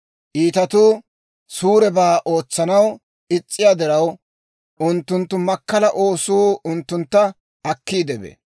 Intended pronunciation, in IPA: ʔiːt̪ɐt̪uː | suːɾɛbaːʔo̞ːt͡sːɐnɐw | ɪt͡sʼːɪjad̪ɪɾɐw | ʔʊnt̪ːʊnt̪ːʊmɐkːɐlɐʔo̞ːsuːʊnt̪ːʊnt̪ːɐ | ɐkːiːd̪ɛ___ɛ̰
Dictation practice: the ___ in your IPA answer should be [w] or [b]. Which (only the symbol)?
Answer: b